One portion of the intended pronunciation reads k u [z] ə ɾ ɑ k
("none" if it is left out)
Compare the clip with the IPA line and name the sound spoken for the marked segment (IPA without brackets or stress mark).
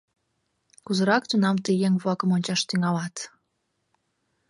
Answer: z